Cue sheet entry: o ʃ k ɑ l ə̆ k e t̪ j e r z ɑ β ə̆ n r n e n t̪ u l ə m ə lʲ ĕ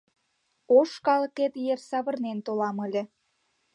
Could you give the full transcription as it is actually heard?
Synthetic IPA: o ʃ k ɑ l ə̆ k e t̪ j e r s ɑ β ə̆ r n e n t̪ o l ɑ m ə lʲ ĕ